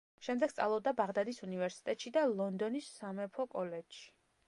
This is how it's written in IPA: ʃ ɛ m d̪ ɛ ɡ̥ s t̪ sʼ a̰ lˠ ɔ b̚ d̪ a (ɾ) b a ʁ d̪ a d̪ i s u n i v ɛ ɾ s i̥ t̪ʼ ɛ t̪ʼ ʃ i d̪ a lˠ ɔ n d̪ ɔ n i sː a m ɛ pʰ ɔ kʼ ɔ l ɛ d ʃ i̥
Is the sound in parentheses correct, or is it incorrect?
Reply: incorrect